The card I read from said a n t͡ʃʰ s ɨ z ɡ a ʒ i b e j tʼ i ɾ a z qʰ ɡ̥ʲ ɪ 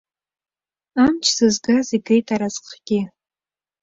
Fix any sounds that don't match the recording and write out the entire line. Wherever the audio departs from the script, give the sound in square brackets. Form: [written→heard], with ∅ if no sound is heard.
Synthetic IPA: a [n→m] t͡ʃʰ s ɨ z ɡ a [ʒ→z] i [b→ɡ] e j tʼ [i→a] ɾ a z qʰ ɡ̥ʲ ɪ